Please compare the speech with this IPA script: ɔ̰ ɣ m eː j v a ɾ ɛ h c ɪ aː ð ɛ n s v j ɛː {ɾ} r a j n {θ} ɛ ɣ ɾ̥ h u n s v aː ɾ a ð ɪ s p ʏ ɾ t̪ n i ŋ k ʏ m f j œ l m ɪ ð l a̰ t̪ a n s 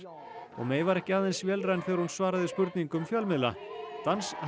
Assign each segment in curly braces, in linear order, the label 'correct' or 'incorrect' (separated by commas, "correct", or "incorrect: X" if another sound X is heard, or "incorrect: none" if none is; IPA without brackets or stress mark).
incorrect: l, correct